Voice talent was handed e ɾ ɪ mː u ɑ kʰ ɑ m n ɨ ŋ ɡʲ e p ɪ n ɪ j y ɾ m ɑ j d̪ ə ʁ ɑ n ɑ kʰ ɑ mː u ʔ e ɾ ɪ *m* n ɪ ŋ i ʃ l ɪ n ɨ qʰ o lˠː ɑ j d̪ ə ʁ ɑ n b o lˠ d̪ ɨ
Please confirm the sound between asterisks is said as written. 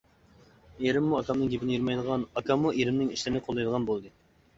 yes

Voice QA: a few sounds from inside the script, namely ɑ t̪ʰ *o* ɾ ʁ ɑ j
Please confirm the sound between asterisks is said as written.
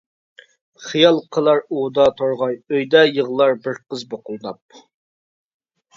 yes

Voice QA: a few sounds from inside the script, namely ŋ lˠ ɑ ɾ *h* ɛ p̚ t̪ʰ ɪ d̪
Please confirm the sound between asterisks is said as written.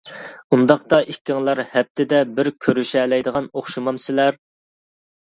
yes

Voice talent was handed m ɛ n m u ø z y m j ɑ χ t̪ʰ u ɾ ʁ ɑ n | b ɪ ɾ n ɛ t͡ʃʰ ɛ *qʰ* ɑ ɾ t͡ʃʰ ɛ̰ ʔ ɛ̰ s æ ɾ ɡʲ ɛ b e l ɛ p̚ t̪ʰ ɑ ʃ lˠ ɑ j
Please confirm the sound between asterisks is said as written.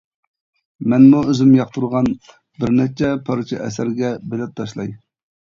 no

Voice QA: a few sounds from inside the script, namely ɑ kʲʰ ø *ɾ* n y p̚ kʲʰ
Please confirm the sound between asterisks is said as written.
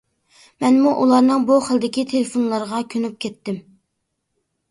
no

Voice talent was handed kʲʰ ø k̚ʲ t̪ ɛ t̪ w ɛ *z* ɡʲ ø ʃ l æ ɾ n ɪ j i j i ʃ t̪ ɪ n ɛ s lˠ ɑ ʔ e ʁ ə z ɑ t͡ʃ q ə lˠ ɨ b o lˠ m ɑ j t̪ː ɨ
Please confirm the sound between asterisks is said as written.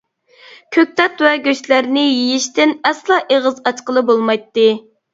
no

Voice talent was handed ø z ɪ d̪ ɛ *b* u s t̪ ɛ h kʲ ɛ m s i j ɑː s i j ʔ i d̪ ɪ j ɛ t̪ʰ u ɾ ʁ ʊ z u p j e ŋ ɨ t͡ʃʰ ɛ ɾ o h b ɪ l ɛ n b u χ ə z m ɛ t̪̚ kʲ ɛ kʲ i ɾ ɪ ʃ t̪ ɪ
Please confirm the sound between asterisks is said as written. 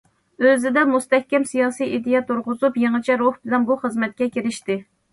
no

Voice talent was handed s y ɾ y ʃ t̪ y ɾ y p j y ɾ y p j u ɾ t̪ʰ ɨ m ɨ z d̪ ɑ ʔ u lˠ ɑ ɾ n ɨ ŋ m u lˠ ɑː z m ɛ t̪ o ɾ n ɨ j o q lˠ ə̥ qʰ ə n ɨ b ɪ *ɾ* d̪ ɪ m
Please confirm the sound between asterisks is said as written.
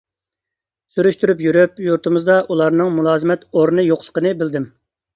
no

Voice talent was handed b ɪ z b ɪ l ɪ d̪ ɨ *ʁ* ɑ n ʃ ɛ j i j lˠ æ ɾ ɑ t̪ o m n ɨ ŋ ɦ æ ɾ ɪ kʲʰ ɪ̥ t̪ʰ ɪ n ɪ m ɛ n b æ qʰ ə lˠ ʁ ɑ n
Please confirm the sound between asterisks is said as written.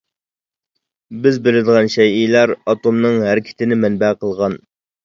yes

